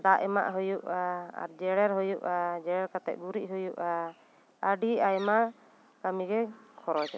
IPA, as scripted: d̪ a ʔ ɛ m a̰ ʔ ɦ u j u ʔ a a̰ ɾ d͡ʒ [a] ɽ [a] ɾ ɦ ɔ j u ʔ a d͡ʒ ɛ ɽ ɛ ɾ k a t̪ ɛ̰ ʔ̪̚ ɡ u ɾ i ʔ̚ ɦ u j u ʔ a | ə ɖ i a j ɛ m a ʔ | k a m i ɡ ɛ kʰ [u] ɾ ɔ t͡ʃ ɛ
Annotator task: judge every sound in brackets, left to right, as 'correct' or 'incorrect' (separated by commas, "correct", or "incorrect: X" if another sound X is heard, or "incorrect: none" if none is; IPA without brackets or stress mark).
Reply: incorrect: ɛ, incorrect: ɛ, incorrect: ɔ